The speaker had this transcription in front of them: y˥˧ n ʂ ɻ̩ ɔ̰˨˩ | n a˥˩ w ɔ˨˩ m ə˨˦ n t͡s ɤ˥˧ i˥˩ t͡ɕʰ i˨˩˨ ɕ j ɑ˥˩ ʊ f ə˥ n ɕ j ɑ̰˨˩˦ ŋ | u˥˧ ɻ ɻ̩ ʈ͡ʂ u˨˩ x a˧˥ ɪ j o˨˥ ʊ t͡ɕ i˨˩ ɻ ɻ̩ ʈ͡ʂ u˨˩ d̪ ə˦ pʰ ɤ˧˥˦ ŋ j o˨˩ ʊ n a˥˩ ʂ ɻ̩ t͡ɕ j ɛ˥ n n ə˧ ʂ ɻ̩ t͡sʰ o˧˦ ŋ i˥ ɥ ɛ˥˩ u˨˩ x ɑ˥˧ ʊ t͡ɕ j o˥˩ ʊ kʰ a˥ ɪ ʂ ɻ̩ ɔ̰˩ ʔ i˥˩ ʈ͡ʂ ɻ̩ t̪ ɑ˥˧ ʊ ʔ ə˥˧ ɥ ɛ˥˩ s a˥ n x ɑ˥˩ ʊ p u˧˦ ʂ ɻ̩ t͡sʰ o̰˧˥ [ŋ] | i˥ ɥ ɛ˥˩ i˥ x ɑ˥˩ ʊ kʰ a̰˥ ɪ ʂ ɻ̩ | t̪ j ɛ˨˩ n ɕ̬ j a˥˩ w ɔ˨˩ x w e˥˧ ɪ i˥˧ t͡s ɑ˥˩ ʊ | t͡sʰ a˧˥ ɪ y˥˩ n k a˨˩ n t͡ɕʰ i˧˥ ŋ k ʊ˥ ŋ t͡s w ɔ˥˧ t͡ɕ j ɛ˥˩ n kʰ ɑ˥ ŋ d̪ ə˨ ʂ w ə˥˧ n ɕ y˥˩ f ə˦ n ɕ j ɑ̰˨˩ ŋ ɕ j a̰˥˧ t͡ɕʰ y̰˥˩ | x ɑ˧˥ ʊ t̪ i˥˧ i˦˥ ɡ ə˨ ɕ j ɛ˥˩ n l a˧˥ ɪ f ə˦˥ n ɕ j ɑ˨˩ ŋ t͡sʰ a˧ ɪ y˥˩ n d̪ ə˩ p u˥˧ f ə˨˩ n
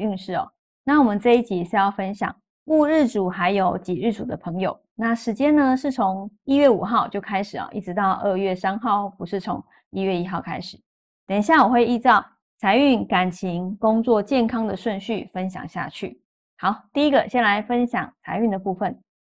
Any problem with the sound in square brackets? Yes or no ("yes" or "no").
no